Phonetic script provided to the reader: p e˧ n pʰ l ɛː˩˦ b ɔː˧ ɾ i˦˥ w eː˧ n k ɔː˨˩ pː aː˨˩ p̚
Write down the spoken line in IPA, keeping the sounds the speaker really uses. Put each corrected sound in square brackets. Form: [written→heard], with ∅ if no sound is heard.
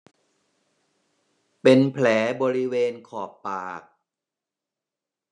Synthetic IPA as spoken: p e˧ n pʰ l ɛː˩˦ b ɔː˧ ɾ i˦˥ w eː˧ n [k→kʰ] ɔː˨˩ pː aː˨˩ [p̚→k̚]